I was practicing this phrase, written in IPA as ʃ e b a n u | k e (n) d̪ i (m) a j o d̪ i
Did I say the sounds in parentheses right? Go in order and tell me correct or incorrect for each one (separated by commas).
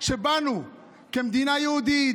incorrect, incorrect